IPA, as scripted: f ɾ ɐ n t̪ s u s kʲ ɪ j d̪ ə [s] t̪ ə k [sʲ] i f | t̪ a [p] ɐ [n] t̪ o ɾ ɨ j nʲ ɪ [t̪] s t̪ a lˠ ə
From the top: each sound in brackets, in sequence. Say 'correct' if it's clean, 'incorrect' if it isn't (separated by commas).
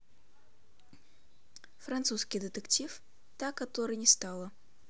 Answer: incorrect, incorrect, incorrect, incorrect, incorrect